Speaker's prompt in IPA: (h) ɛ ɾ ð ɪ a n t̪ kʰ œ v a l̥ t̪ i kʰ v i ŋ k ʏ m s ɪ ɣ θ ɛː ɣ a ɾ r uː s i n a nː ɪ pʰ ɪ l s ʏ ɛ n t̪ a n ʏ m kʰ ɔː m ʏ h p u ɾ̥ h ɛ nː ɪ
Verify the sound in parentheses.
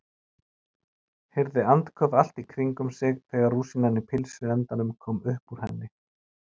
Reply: correct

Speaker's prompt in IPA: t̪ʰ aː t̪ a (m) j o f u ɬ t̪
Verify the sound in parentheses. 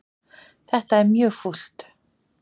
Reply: correct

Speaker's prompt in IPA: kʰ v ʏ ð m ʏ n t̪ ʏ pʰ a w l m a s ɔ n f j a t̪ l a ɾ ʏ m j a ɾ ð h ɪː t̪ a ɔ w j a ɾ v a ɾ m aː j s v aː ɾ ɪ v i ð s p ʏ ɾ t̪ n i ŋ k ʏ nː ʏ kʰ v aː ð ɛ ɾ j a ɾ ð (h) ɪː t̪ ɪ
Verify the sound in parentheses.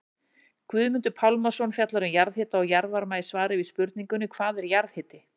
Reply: correct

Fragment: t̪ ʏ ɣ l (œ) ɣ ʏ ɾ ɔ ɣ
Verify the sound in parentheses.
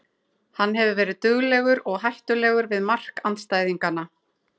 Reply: incorrect: ɛ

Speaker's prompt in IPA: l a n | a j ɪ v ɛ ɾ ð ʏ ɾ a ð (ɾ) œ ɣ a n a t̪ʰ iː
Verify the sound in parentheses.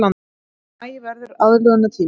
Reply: incorrect: l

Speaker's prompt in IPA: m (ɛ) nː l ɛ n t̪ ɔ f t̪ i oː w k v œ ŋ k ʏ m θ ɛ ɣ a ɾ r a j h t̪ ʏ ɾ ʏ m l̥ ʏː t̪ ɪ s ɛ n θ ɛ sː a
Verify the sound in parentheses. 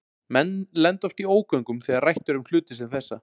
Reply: correct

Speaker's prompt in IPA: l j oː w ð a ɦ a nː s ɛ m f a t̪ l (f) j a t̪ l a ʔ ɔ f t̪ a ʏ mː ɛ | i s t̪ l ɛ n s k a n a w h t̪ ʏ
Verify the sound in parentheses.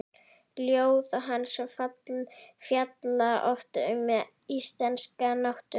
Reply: correct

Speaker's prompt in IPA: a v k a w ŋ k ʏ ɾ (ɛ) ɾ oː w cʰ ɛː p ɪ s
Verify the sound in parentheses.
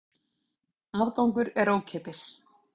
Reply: correct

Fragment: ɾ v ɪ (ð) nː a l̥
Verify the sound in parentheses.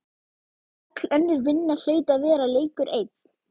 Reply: incorrect: none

